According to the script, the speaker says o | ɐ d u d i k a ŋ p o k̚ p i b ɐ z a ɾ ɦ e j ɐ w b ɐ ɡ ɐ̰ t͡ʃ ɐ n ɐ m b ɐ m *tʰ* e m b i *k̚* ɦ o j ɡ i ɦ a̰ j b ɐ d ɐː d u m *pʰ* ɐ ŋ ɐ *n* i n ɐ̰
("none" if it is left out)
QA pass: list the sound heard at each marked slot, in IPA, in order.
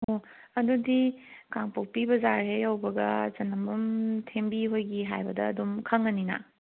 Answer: tʰ, none, kʰ, n

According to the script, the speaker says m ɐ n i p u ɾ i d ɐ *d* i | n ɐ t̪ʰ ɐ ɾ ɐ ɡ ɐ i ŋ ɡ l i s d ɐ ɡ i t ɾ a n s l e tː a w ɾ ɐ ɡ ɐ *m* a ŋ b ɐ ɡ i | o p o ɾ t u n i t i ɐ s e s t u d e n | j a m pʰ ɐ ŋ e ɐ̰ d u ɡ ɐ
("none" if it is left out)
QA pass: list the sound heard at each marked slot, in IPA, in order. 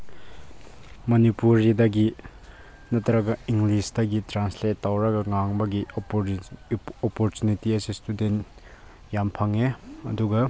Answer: ɡ, ŋ

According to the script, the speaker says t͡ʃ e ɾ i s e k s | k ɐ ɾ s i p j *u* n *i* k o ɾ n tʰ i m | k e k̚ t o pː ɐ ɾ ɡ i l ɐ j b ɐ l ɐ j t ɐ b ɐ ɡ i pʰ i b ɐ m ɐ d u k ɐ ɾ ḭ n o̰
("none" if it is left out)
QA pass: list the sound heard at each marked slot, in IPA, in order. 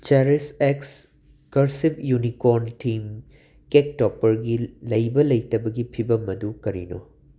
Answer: u, i

